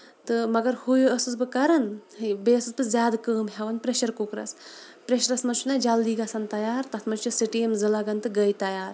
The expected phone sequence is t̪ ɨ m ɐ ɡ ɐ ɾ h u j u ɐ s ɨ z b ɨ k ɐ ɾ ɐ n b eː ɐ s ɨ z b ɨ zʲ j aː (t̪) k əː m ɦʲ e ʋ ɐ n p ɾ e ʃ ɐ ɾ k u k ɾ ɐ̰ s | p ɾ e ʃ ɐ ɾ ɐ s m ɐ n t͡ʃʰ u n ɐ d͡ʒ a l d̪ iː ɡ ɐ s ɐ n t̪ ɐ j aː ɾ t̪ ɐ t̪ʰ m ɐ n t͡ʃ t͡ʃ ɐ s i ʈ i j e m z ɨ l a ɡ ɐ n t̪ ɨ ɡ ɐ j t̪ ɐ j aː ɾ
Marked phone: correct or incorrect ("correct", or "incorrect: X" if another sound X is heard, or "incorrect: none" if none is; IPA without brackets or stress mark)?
incorrect: d̪